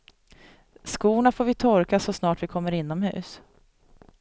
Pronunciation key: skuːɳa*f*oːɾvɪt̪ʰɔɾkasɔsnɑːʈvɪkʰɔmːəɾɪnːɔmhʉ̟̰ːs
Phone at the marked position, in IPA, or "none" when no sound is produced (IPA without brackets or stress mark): f